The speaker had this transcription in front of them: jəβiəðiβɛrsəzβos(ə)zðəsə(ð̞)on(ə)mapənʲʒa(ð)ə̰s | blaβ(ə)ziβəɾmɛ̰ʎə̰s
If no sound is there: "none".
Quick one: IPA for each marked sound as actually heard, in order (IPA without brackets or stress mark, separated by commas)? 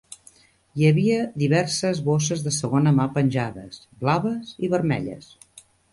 ə, ɣ̞, ə, ð, ə